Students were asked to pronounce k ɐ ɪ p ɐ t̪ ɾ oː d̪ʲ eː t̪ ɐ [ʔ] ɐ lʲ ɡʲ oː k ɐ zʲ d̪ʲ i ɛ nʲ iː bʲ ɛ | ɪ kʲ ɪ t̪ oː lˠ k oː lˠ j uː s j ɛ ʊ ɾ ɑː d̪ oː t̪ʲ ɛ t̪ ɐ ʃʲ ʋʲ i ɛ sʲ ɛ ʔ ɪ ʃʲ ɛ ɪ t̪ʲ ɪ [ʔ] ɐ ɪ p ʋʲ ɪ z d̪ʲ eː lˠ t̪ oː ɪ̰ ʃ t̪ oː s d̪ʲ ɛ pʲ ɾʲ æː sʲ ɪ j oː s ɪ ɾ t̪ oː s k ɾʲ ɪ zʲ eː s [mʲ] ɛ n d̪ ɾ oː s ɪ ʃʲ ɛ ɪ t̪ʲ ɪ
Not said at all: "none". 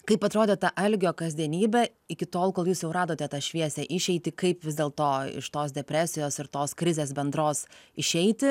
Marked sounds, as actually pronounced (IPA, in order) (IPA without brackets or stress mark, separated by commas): ʔ, k, bʲ